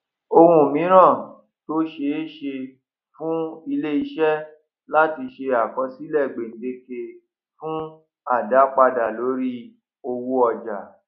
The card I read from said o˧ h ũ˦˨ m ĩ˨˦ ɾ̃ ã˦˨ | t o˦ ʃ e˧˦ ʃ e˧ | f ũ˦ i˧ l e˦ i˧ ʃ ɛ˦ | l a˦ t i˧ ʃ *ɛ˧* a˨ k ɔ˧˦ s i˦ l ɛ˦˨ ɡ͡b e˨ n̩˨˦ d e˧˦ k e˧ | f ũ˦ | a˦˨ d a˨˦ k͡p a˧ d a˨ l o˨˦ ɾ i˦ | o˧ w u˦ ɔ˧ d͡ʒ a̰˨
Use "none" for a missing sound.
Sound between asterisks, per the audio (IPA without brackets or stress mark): e˧